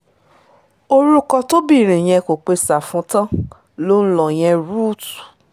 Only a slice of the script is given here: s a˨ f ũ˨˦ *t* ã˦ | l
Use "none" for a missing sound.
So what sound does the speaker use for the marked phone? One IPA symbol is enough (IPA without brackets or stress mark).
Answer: t